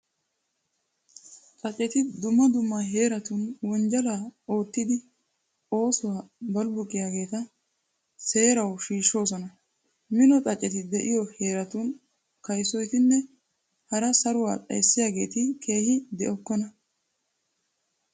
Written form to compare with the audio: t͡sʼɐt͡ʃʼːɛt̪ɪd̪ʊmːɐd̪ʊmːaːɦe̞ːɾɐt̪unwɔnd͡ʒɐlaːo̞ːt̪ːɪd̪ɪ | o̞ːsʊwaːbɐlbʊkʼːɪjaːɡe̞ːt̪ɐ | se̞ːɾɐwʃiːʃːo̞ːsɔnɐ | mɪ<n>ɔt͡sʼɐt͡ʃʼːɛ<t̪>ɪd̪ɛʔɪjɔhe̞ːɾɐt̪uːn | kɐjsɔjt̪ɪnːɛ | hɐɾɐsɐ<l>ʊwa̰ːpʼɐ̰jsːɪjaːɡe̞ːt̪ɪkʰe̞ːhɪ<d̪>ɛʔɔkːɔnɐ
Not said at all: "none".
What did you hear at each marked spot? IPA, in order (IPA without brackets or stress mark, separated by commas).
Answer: n, t̪, ɾ, d̪